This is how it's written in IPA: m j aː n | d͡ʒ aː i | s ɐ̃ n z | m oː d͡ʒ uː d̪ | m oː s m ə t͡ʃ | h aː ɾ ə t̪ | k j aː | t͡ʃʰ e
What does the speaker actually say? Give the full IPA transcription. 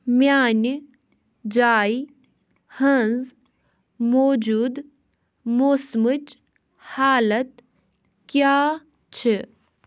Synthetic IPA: m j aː n | d͡ʒ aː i | h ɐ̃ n z | m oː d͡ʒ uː d̪ | m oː s m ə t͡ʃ | h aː l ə t̪ | k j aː | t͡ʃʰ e

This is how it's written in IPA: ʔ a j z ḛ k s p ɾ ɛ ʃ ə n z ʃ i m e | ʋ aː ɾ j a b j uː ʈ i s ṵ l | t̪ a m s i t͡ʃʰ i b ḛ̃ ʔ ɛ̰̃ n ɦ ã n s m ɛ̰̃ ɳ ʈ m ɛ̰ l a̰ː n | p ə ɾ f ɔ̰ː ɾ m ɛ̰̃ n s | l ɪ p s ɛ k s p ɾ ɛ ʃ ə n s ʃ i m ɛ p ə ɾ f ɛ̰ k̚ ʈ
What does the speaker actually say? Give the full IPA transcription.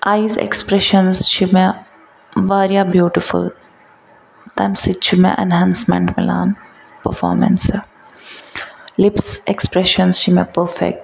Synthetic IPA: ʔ a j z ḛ k s p ɾ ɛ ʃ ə n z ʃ i m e | ʋ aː ɾ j a b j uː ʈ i f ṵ l | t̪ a m s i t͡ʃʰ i m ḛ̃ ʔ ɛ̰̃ n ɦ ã n s m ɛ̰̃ ɳ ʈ m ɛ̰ l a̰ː n | p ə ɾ f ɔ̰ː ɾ m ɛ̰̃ n s | l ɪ p s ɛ k s p ɾ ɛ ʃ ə n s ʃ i m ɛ p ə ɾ f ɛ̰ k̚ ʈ

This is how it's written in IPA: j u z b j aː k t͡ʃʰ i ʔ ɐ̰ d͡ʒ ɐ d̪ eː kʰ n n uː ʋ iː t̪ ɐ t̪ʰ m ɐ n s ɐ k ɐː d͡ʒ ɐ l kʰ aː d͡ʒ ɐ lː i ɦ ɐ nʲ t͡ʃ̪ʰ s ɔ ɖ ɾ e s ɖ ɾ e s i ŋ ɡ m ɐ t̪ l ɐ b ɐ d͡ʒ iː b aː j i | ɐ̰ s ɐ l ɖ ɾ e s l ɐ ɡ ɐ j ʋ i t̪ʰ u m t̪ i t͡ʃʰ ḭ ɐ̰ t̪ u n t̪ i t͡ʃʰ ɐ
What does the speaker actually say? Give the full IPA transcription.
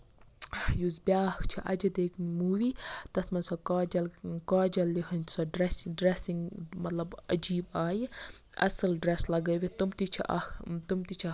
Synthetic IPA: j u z b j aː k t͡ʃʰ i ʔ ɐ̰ d͡ʒ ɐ d̪ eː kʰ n m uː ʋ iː t̪ ɐ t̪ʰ m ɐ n s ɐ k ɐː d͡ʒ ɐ l k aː d͡ʒ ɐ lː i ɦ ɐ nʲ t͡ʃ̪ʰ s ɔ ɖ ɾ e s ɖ ɾ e s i ŋ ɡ m ɐ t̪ l ɐ b ɐ d͡ʒ iː b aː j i | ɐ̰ s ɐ l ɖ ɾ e s l ɐ ɡ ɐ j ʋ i t̪ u m t̪ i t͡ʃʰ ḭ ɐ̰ t̪ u m t̪ i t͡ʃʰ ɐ

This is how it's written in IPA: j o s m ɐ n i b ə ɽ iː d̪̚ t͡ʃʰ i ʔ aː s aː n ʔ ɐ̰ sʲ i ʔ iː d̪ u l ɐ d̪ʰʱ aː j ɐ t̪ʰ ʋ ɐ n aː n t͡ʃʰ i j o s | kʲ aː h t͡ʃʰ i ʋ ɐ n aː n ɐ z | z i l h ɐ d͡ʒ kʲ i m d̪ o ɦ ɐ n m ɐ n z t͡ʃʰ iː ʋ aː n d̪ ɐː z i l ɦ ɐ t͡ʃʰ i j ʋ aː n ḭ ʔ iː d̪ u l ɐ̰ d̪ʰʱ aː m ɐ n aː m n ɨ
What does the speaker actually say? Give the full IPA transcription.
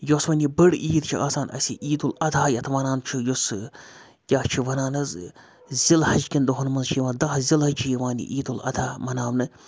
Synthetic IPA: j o s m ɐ n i b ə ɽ iː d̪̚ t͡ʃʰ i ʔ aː s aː n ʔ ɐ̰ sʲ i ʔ iː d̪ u l ɐ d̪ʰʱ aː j ɐ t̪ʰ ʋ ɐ n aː n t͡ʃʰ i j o s | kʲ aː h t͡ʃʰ i ʋ ɐ n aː n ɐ z | z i l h ɐ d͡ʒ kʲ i n d̪ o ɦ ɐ n m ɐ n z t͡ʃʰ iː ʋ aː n d̪ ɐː z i l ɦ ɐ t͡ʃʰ i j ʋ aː n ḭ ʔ iː d̪ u l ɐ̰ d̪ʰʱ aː m ɐ n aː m n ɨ

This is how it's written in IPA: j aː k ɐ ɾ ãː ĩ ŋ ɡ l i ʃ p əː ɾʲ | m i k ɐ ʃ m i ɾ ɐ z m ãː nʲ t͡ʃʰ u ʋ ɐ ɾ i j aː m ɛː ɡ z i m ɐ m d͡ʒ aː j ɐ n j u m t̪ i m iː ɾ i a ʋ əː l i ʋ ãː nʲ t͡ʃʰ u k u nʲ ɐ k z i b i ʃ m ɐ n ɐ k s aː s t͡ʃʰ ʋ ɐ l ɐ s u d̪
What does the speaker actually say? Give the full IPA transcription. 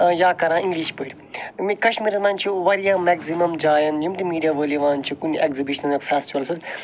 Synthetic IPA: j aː k ɐ ɾ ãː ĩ ŋ ɡ l i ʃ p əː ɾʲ | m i k ɐ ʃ m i ɾ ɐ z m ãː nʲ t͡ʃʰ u ʋ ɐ ɾ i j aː m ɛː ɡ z i m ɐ m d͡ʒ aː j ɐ n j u m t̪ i m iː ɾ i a ʋ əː l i ʋ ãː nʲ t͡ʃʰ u k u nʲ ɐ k z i b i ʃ n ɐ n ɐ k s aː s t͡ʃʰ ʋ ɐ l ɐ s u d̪

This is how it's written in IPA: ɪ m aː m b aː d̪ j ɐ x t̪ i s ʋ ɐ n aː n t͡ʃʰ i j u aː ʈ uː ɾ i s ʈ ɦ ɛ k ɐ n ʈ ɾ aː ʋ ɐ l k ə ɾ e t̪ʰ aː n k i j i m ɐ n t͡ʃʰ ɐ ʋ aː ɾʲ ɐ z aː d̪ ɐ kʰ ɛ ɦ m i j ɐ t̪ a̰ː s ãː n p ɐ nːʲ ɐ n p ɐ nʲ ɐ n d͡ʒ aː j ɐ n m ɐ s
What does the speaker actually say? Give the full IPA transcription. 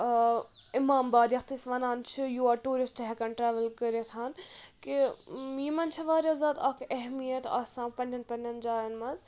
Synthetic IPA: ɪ m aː m b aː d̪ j ɐ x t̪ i s ʋ ɐ n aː n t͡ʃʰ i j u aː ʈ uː ɾ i s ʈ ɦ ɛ k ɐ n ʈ ɾ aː ʋ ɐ l k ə ɾ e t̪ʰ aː n k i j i m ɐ n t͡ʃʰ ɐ ʋ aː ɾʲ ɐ z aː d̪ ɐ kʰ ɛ ɦ m i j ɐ t̪ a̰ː s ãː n p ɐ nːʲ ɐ n p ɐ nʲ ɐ n d͡ʒ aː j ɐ n m ɐ z

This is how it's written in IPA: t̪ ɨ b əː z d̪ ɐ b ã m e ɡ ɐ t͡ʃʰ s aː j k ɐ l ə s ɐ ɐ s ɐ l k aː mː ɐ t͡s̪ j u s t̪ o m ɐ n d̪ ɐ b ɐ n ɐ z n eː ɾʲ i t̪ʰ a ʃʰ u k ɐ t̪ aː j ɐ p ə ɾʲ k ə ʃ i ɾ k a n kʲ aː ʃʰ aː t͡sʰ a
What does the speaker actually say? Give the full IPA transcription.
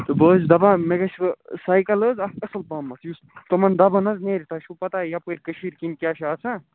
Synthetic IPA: t̪ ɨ b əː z d̪ ɐ b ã m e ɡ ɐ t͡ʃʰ s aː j k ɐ l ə z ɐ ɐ s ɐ l p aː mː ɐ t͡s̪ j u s t̪ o m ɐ n d̪ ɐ b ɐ n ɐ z n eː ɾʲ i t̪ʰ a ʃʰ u p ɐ t̪ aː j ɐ p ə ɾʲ k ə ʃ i ɾ k i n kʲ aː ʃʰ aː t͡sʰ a

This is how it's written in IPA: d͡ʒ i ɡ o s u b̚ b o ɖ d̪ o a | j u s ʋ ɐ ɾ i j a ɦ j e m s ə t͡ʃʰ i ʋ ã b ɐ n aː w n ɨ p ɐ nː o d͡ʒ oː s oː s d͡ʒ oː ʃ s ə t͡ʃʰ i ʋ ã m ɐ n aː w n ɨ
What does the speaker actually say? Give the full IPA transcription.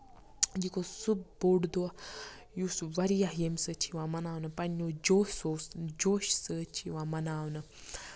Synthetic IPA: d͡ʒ i k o s u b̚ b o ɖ d̪ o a | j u s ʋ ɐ ɾ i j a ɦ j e m s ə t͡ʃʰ i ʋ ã m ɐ n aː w n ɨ p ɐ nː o d͡ʒ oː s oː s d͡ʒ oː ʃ s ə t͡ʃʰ i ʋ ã m ɐ n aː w n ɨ

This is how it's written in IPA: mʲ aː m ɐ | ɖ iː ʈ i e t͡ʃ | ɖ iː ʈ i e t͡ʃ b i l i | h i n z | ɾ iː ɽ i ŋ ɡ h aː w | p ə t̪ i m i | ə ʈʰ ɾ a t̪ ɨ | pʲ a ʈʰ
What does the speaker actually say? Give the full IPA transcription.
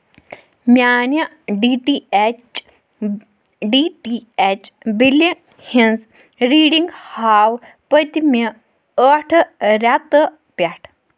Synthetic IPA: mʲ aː n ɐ | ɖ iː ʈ i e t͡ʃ | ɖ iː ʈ i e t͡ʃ b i l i | h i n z | ɾ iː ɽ i ŋ ɡ h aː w | p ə t̪ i m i | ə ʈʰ ɾ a t̪ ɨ | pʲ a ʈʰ

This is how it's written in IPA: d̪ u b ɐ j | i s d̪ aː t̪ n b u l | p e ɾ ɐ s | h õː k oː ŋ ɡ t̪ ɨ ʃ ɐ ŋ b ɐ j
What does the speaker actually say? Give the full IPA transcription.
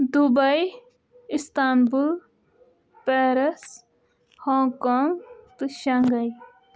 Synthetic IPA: d̪ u b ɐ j | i s t̪ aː n b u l | p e ɾ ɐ s | h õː k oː ŋ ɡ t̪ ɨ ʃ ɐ ŋ ɡ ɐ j

